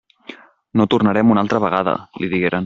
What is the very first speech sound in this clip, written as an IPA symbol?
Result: n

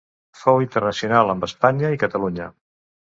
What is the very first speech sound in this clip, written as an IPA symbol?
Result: f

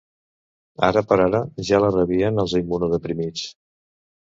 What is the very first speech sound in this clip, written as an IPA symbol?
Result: a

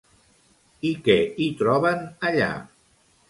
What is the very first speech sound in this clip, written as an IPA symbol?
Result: i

